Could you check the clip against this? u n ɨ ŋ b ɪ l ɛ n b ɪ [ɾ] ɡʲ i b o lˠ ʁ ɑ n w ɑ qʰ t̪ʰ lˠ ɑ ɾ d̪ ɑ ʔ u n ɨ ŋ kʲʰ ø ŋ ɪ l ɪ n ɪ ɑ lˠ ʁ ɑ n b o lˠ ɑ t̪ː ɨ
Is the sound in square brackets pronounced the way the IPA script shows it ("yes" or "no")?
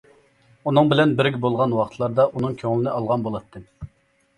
yes